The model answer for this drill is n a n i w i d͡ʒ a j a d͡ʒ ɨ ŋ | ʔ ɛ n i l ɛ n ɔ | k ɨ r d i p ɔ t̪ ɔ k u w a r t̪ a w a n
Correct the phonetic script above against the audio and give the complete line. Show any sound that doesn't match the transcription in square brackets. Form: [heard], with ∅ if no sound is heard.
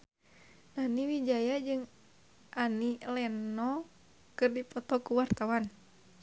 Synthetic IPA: n a n i w i d͡ʒ a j a d͡ʒ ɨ ŋ | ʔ [a] n i l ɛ n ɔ | k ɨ r d i p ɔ t̪ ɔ k u w a r t̪ a w a n